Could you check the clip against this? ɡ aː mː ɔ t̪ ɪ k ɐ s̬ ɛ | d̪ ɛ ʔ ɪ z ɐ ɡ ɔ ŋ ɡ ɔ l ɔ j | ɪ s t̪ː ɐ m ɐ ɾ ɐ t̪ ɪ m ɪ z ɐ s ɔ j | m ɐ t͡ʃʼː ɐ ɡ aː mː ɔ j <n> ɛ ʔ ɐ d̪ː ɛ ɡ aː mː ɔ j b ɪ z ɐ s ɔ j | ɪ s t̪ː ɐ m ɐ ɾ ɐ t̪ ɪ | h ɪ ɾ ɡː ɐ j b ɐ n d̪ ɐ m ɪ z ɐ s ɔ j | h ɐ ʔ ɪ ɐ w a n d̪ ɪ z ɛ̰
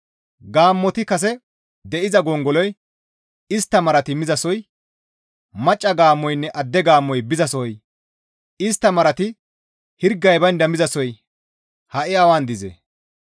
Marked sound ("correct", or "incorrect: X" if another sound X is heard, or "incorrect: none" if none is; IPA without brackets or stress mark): incorrect: nː